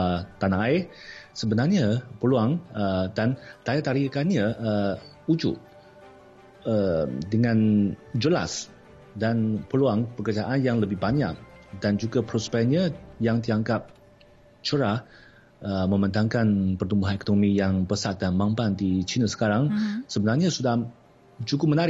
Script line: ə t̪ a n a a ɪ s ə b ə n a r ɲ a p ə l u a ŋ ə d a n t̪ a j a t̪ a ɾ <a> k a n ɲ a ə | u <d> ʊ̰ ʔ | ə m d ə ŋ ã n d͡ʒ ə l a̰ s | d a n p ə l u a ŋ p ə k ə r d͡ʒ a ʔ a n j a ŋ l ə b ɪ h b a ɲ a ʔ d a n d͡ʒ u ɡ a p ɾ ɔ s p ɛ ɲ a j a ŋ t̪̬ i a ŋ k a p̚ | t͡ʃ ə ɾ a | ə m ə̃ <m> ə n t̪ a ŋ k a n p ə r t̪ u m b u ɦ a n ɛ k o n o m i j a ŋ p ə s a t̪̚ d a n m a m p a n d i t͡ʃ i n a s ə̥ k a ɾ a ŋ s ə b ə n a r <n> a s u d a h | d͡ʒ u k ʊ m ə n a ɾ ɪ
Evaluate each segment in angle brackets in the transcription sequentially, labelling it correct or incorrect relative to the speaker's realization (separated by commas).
incorrect, incorrect, correct, incorrect